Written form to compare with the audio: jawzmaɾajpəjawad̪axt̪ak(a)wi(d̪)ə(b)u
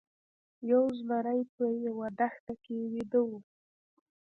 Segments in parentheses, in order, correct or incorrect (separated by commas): incorrect, correct, incorrect